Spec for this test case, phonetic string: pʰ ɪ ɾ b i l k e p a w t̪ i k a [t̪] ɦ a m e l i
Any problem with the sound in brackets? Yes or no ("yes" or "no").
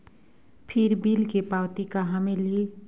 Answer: yes